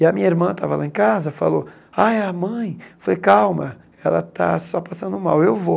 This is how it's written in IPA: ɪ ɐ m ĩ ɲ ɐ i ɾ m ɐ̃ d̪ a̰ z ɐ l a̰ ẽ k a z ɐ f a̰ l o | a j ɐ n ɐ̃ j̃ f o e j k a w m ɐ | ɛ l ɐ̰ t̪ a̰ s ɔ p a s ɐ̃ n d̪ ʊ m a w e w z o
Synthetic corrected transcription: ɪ ɐ m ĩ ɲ ɐ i ɾ m ɐ̃ t̪ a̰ v ɐ l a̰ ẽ k a z ɐ f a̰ l o | a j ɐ m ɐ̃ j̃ f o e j k a w m ɐ | ɛ l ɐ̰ t̪ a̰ s ɔ p a s ɐ̃ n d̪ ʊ m a w e w v o